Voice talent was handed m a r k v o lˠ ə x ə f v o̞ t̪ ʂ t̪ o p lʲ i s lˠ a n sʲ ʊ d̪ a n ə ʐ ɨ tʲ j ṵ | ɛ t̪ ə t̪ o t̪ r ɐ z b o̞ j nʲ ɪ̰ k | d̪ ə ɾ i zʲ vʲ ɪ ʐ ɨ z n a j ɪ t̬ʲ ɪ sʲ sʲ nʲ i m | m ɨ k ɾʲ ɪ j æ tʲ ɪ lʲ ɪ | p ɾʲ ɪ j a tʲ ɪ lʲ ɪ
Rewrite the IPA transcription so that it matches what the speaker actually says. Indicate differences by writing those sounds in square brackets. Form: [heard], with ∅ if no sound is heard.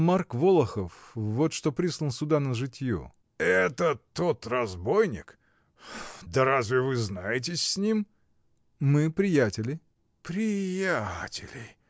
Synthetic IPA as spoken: m a r k v o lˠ ə x ə f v o̞ t̪ ʂ t̪ o p [ɾʲ] i s lˠ [ə] n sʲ ʊ d̪ a n ə ʐ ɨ tʲ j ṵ | ɛ t̪ ə t̪ o t̪ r ɐ z b o̞ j nʲ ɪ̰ k | d̪ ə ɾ [a] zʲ vʲ ɪ [v] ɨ z n a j ɪ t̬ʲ ɪ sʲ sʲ nʲ i m | m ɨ [p] ɾʲ ɪ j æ tʲ ɪ lʲ ɪ | p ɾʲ ɪ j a tʲ ɪ lʲ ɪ